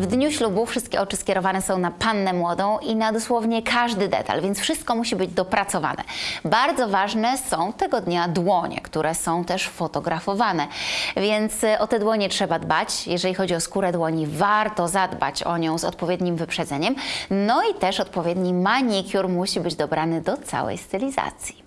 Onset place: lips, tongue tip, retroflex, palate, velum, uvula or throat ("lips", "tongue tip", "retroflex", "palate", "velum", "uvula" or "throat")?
lips